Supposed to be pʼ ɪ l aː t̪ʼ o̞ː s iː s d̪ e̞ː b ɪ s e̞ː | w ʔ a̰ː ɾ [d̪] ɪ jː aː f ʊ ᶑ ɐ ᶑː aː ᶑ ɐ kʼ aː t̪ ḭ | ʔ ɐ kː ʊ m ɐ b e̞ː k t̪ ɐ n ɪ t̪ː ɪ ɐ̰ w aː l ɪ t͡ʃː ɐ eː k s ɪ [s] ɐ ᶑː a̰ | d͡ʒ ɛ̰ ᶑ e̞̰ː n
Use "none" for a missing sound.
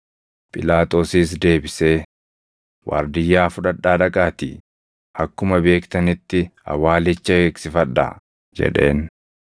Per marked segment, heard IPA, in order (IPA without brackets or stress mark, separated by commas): d̪, f